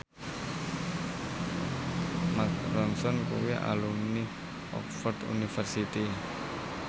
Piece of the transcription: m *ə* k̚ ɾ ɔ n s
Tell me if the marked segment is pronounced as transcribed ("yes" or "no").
no